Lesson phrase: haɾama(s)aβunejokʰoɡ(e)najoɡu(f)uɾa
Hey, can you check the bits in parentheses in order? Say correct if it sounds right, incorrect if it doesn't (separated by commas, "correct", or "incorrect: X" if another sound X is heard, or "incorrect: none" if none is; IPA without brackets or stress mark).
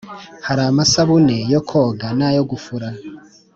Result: correct, incorrect: a, correct